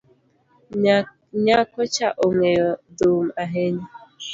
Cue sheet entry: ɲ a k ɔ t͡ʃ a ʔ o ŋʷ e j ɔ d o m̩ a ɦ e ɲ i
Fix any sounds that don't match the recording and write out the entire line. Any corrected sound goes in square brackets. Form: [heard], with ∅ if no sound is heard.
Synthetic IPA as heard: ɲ a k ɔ t͡ʃ a ʔ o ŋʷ e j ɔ d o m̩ a ɦ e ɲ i